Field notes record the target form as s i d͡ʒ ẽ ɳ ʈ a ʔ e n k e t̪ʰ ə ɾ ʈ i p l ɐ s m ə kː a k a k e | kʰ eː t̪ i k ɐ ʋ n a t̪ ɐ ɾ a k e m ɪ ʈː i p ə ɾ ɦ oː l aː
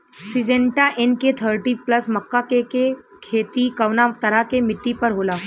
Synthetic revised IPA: s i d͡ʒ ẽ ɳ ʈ a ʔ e n k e t̪ʰ ə ɾ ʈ i p l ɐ s m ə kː a k e k e | kʰ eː t̪ i k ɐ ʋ n a t̪ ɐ ɾ a k e m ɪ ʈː i p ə ɾ ɦ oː l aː